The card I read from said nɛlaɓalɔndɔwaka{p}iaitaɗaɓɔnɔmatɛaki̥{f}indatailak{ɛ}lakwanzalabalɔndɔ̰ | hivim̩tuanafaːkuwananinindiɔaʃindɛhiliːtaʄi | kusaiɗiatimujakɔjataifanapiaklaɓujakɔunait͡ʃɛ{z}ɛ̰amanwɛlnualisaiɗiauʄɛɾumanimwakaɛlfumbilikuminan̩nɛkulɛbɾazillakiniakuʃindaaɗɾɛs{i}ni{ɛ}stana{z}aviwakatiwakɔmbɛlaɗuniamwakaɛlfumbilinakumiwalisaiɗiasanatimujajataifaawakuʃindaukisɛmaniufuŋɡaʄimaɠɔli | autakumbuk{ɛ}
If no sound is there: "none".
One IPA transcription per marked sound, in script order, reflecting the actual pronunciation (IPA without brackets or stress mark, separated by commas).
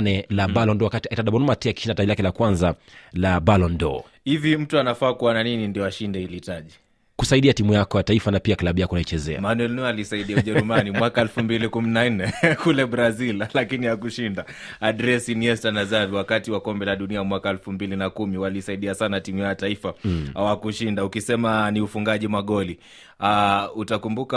t, ʃ, ɛ, z, i, ɛ, z, a